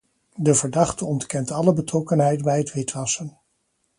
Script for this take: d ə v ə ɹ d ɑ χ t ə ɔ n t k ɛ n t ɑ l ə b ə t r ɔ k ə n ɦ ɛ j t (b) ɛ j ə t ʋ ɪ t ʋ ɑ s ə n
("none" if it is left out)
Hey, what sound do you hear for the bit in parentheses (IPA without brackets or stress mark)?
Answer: b